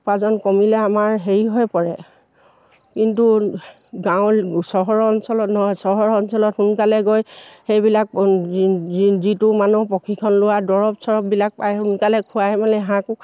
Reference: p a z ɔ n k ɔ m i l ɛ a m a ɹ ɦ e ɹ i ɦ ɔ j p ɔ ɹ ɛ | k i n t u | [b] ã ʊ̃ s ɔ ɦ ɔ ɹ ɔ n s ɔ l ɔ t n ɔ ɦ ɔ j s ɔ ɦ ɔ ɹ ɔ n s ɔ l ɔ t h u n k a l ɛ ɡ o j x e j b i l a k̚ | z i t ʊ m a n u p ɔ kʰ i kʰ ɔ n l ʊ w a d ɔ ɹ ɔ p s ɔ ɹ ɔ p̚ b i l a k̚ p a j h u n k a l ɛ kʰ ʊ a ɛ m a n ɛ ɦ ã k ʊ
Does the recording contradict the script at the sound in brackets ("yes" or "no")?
yes